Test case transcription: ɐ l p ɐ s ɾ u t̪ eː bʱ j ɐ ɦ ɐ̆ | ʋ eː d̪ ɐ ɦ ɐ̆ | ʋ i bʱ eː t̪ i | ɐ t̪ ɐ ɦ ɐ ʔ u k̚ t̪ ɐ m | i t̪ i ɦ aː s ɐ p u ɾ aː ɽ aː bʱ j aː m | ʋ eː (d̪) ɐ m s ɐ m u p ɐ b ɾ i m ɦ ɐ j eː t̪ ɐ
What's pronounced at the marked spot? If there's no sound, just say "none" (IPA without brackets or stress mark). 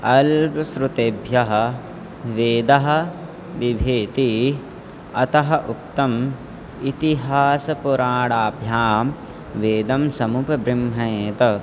d̪